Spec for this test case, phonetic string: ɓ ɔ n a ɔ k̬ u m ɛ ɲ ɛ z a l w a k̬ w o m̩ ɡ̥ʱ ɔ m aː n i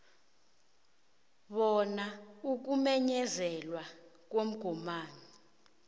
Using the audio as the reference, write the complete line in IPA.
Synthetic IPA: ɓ ɔ n a u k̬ u m ɛ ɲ ɛ z ɛ l w a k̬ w o m̩ ɡ̥ʱ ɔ m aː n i